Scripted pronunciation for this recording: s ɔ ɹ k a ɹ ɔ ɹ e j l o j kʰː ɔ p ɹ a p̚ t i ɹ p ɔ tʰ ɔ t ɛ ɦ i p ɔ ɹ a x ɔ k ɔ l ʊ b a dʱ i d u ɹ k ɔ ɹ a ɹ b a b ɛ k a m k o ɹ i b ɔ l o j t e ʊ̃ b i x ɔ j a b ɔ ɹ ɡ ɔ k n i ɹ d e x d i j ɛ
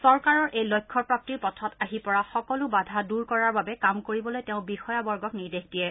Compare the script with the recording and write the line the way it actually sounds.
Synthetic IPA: s ɔ ɹ k a ɹ ɔ ɹ e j l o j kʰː ɔ p ɹ a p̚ t i ɹ p ɔ tʰ ɔ t a ɦ i p ɔ ɹ a x ɔ k ɔ l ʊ b a dʱ a d u ɹ k ɔ ɹ a ɹ b a b ɛ k a m k o ɹ i b ɔ l o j t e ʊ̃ b i x ɔ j a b ɔ ɹ ɡ ɔ k n i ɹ d e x d i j ɛ